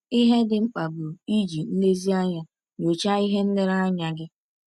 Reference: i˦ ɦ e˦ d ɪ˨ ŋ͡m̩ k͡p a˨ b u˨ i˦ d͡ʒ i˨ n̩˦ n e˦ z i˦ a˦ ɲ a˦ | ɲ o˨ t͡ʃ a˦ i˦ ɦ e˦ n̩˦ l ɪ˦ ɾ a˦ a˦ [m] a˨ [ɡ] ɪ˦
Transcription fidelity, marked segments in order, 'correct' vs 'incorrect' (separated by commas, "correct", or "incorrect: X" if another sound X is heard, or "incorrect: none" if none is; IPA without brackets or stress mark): incorrect: ɲ, correct